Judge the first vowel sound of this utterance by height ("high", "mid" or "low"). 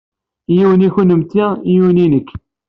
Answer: high